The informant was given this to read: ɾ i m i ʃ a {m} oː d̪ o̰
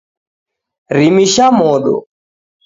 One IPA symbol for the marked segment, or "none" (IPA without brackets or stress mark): m